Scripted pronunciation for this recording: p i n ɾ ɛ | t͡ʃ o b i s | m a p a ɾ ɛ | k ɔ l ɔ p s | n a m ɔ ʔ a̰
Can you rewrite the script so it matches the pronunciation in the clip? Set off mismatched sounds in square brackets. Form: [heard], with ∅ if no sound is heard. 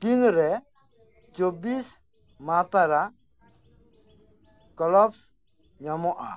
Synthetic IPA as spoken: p i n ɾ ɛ | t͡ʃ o b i s | m a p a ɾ [a] | k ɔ l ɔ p s | [ɲ] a m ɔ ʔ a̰